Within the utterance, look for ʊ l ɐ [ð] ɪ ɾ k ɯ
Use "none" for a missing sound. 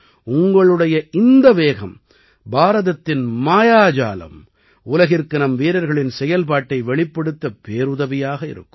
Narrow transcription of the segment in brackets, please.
ɣ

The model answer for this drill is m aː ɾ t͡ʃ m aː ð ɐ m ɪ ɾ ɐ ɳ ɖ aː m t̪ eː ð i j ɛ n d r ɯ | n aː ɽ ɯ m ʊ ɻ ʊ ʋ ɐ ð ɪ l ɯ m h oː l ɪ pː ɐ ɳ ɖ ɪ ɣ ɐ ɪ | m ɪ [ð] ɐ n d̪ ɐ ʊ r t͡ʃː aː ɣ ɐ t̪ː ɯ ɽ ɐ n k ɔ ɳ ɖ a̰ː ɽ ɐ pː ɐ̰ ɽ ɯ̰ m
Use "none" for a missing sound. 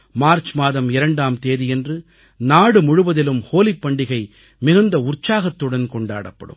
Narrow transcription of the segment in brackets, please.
ɣ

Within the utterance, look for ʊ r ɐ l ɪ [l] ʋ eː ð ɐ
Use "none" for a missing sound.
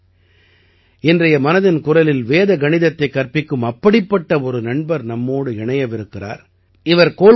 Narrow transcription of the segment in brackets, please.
l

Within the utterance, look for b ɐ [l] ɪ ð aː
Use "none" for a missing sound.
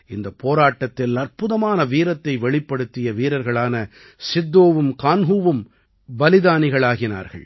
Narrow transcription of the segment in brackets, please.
l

